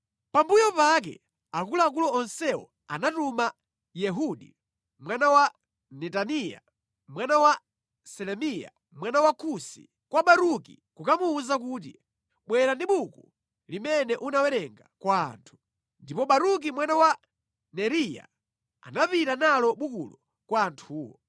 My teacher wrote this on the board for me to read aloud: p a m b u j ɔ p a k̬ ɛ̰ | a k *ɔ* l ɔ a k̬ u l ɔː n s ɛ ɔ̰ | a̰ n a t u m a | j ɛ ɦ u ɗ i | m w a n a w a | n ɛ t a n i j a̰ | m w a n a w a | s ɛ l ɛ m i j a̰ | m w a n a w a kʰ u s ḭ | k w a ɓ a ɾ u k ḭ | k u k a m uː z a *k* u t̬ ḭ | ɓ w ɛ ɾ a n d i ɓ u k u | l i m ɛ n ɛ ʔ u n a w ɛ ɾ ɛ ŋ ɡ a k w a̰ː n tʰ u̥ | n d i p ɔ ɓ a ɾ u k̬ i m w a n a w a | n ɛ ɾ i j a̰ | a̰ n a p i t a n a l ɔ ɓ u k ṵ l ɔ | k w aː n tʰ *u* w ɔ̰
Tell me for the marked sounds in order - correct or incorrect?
incorrect: u, correct, incorrect: uː

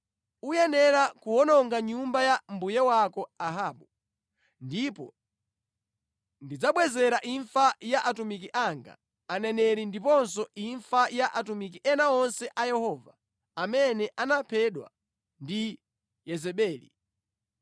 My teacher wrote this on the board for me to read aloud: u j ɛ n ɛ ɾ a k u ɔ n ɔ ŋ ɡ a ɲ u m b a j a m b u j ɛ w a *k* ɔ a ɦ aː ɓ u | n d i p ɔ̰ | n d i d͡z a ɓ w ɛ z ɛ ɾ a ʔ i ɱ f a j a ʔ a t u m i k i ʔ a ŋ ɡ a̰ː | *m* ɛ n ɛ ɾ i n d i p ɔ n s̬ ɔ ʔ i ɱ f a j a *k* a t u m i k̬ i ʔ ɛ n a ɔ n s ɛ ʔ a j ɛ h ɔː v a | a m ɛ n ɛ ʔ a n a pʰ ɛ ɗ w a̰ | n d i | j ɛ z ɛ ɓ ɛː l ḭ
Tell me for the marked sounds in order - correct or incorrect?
correct, incorrect: n, incorrect: ʔ

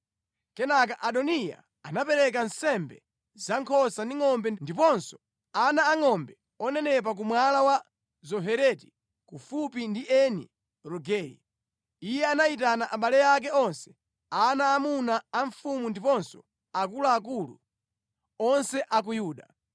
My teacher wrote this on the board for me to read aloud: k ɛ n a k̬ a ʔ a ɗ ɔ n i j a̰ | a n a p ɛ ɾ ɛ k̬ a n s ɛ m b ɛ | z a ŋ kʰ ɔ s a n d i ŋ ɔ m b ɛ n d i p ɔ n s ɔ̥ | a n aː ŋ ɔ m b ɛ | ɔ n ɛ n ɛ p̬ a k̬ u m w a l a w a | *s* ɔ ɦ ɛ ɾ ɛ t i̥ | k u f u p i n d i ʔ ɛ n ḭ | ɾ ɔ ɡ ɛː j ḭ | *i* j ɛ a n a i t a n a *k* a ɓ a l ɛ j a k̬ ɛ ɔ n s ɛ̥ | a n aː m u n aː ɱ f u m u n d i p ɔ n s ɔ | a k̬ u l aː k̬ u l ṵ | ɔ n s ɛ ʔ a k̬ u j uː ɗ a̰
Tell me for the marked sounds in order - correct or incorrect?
incorrect: z, correct, incorrect: ʔ

